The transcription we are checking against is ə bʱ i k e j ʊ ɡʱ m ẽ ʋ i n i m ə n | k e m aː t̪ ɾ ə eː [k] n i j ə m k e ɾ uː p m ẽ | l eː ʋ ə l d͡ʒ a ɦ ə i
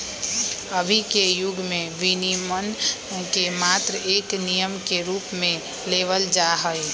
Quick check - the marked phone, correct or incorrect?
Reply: correct